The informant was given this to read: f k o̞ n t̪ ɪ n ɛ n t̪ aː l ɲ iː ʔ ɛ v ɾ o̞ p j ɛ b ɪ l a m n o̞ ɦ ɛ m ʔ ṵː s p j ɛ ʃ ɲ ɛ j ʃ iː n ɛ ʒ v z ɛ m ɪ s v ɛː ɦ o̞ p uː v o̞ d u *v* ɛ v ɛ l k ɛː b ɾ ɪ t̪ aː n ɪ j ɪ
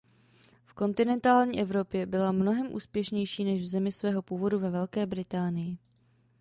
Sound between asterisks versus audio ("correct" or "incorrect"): correct